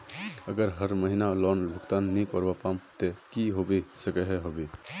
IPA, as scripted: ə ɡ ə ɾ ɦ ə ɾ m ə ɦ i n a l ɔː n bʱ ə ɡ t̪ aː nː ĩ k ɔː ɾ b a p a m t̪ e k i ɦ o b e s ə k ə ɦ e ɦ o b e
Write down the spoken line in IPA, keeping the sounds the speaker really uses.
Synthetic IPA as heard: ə ɡ ə ɾ ɦ ə ɾ m ə ɦ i n a l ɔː n bʱ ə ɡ t̪ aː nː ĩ k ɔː ɾ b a p a m t̪ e k i ɦ o b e s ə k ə ɦ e ɦ o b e